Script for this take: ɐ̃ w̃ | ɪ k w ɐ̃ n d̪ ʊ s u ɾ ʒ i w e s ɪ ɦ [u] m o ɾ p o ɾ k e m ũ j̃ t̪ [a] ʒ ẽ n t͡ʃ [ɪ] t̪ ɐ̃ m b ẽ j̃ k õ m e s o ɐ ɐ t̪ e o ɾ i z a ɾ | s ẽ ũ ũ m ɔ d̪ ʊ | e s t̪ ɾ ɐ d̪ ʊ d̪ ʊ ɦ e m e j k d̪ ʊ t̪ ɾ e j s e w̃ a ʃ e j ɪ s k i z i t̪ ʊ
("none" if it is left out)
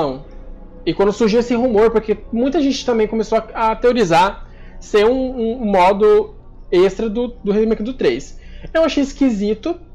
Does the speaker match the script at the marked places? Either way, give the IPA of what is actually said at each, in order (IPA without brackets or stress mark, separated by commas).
u, ɐ, ɪ